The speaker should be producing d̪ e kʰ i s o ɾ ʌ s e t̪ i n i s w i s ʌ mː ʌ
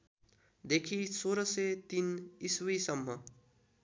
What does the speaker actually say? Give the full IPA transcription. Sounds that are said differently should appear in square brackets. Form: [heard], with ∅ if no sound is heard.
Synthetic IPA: d̪ e kʰ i s o ɾ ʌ s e t̪ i n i s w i s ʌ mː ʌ